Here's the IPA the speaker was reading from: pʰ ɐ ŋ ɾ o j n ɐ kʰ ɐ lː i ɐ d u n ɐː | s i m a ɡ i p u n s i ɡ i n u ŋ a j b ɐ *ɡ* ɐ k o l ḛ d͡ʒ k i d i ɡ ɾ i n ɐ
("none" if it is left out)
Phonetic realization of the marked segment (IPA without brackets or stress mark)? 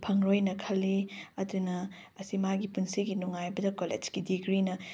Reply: d